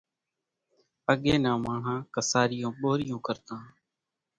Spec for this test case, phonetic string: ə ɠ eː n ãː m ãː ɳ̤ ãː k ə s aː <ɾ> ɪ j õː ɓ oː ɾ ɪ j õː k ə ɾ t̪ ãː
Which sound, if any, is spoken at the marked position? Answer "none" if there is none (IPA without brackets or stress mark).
ɾ